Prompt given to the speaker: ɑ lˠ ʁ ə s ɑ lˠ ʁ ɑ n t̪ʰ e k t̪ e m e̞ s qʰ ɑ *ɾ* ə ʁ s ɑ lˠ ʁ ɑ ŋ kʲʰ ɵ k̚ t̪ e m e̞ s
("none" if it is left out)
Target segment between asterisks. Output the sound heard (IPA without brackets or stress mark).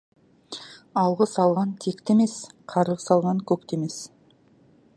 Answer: ɾ